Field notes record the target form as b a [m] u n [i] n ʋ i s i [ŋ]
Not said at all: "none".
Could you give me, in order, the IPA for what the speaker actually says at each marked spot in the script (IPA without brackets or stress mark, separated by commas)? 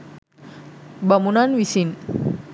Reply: m, a, n